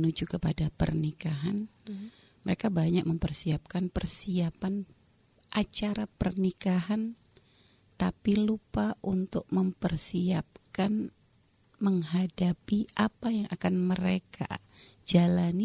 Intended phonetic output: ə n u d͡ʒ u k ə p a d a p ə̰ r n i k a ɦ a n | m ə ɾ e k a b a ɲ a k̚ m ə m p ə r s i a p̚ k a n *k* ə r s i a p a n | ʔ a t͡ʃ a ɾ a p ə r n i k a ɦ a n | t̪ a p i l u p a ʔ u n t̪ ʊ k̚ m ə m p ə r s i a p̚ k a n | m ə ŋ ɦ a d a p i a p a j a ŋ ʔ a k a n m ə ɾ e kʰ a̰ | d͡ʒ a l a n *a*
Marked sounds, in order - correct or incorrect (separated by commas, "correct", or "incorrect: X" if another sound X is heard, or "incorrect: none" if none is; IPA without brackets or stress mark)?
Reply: incorrect: p, incorrect: i